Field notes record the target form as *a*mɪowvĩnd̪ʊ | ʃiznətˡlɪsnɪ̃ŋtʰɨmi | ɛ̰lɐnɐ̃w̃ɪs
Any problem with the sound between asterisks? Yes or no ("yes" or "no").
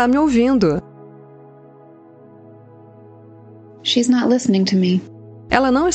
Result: no